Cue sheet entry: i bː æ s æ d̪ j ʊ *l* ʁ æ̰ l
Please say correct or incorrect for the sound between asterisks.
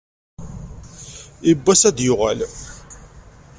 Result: incorrect: none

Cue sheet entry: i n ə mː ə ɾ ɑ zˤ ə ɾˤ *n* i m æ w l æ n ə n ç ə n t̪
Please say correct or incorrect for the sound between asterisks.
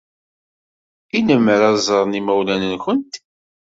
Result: correct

